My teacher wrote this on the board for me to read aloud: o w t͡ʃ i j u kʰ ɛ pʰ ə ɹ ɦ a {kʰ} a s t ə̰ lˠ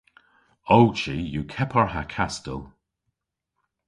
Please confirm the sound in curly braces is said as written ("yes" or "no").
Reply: yes